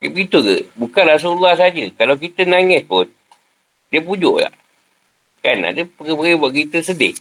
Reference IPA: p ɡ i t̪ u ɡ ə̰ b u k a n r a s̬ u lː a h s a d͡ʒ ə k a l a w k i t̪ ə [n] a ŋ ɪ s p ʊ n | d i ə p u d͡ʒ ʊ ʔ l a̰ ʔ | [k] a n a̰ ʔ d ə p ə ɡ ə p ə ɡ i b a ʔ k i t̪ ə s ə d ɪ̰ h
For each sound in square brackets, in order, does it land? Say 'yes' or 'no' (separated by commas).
yes, yes